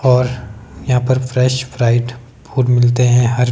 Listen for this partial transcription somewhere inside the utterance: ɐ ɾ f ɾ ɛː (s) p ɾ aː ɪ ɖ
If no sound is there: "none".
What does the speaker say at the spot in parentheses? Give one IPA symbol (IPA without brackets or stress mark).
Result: ʃ